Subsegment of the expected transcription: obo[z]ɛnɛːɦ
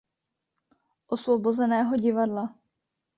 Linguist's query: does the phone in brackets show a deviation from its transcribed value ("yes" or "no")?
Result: no